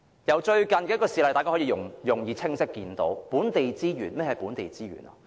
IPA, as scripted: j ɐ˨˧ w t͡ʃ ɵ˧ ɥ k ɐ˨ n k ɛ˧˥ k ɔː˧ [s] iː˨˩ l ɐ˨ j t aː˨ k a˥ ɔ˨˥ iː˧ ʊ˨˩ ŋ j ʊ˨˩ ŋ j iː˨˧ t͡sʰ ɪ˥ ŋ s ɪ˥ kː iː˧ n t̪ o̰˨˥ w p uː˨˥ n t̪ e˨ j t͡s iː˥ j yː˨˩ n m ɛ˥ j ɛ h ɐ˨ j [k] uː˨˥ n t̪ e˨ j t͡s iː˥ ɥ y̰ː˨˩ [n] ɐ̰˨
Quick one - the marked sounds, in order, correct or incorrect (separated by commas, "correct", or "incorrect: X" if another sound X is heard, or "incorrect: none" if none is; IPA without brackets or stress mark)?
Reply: correct, incorrect: p, correct